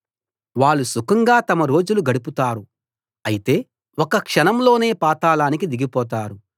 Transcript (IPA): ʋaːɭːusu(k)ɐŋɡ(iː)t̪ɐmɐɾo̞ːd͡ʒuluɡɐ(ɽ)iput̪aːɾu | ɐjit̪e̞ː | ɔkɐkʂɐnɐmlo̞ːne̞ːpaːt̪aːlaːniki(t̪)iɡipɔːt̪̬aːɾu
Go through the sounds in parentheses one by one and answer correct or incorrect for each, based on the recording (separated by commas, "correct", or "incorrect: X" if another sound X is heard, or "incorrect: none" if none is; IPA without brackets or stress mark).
correct, incorrect: aː, correct, incorrect: d̪